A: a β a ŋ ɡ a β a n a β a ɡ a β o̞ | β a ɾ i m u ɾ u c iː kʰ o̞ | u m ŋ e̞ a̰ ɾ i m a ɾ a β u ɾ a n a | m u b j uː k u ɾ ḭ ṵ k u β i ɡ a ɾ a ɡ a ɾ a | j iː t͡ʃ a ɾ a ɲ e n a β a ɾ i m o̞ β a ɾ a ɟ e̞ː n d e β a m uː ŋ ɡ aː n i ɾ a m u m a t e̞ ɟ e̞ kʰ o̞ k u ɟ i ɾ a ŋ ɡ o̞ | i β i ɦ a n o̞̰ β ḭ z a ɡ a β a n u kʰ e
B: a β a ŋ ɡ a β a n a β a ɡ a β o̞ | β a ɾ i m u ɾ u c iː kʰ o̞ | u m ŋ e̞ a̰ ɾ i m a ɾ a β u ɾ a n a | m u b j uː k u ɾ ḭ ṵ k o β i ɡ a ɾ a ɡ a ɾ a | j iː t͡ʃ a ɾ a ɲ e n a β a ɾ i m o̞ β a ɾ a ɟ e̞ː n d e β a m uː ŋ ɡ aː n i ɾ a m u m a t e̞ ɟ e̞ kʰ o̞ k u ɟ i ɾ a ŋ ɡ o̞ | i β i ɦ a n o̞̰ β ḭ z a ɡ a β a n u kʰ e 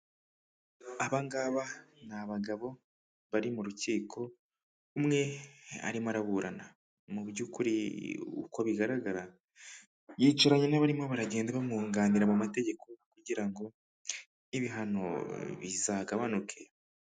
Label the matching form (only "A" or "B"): B